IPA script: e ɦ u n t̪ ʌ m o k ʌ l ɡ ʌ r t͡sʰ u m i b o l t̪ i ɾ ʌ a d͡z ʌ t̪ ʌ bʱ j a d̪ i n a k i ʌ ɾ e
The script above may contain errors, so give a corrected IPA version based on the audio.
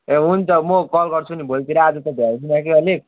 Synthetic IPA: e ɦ u n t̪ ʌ m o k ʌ l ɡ ʌ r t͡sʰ u n i b o l t̪ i ɾ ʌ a d͡z ʌ t̪ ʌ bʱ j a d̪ i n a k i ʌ l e